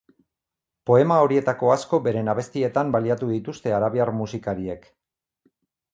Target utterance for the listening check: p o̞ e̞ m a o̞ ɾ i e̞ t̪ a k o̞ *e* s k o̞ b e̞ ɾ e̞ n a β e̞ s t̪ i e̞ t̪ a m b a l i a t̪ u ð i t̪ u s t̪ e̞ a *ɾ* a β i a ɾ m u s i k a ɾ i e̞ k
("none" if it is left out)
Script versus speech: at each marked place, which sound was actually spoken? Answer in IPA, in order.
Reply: a, ɾ

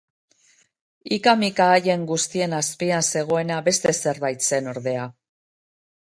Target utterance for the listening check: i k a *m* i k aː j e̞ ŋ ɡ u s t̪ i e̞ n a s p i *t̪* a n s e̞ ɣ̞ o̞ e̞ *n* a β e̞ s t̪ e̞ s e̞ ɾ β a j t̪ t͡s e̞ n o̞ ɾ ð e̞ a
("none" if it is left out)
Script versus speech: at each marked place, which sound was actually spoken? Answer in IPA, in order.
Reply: m, none, n

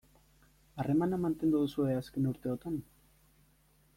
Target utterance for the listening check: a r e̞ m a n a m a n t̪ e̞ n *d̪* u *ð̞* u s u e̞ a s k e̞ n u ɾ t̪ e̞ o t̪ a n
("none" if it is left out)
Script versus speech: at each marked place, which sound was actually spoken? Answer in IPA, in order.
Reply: d̪, ð̞

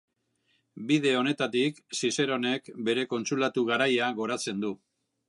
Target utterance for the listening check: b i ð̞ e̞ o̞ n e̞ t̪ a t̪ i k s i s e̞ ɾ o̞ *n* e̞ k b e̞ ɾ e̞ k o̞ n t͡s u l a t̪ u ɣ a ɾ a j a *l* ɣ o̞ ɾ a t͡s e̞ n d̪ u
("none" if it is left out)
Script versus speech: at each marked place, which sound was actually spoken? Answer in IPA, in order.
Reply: n, none

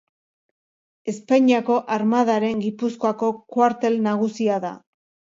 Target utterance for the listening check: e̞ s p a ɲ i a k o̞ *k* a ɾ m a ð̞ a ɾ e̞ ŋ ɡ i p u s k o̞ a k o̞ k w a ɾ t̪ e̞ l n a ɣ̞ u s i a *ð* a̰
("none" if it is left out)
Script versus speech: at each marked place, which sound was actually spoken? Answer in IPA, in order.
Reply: ʔ, ð

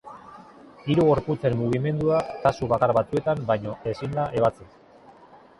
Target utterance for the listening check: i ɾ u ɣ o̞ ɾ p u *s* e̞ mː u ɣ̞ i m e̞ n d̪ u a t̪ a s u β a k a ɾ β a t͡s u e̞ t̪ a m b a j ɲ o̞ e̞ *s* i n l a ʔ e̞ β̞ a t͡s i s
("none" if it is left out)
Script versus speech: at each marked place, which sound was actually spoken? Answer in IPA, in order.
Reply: t͡s, s

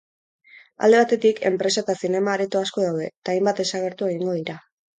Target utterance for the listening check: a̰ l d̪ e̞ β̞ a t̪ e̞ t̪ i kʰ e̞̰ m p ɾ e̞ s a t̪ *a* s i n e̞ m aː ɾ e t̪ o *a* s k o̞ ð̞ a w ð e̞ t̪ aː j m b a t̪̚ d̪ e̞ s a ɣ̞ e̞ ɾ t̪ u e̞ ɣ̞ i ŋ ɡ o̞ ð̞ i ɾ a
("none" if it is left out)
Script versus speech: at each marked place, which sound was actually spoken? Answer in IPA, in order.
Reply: a, a

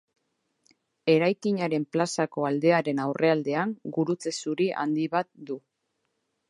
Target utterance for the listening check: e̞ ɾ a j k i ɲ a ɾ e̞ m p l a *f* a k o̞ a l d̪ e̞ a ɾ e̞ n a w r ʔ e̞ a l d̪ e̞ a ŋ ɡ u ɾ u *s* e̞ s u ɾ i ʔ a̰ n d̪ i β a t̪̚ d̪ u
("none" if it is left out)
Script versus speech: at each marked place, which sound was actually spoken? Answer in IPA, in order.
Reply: s, t͡s

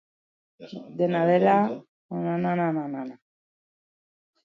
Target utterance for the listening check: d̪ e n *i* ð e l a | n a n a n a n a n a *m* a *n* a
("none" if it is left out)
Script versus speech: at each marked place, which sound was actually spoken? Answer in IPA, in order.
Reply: a, n, n

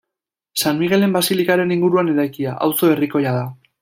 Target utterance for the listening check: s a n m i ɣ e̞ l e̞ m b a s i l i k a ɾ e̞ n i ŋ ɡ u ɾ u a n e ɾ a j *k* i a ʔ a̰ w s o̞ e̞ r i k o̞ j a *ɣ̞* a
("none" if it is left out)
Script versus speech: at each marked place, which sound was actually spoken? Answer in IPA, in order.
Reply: k, ð̞

